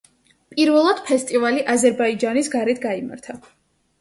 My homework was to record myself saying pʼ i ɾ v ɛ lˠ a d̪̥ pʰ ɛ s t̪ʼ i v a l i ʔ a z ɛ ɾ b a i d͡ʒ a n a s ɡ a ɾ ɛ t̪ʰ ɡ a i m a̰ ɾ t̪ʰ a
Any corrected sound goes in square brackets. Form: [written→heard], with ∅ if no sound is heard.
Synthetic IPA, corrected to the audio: pʼ i ɾ v ɛ lˠ a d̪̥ pʰ ɛ s t̪ʼ i v a l i ʔ a z ɛ ɾ b a i d͡ʒ a n [a→i] s ɡ a ɾ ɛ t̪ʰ ɡ a i m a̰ ɾ t̪ʰ a